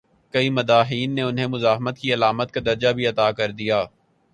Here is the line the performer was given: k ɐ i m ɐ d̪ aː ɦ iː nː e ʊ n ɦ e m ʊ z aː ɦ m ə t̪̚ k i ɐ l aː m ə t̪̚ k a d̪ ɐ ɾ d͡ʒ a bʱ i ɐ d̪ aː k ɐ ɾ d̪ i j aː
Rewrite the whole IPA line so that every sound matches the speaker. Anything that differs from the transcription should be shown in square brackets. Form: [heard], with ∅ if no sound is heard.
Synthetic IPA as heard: k ɐ i m ɐ d̪ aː ɦ iː nː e ʊ n ɦ e m ʊ z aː ɦ m ə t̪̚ k i ɐ l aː m ə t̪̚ k a d̪ ɐ ɾ d͡ʒ a bʱ i ɐ [t̪] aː k ɐ ɾ d̪ i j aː